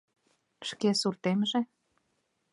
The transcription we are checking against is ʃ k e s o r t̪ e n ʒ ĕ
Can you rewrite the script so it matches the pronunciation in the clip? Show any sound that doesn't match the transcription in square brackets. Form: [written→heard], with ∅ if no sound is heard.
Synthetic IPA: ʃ k e s [o→u] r t̪ e [n→m] ʒ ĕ